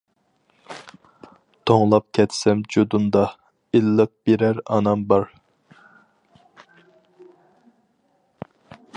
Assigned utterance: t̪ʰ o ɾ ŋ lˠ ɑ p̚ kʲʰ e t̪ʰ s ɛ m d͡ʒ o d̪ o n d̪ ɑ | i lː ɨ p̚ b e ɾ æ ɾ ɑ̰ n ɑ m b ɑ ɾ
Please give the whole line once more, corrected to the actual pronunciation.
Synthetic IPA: t̪ʰ o ŋ lˠ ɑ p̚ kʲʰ ɛ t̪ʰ s ɛ m d͡ʒ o d̪ u n d̪ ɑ | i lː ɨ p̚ b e ɾ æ ɾ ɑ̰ n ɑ m b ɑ ɾ